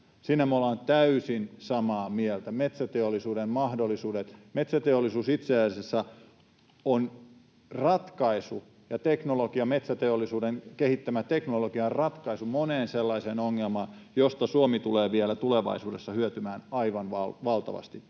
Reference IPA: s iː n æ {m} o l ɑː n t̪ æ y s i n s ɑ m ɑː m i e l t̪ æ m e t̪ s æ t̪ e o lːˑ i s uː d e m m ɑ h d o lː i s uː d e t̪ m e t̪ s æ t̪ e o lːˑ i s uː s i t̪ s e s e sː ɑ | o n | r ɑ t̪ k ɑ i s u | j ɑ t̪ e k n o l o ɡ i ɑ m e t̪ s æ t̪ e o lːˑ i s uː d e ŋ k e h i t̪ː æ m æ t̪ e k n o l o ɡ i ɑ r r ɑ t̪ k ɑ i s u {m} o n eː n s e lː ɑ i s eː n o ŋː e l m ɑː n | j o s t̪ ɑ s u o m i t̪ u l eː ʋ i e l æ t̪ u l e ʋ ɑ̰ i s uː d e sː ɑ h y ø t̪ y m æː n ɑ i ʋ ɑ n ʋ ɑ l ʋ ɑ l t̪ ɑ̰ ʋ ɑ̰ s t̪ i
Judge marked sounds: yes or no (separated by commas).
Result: yes, yes